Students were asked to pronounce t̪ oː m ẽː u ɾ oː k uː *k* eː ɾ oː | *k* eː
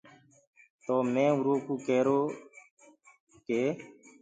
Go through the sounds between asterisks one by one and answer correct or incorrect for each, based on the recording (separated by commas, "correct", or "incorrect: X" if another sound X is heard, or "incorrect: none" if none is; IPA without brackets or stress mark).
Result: correct, correct